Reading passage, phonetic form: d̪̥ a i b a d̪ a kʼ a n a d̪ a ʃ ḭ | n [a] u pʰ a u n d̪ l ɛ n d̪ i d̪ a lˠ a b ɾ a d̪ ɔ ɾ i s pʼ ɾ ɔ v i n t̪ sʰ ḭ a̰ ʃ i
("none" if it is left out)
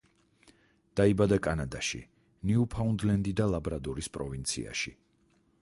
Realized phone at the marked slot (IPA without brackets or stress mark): i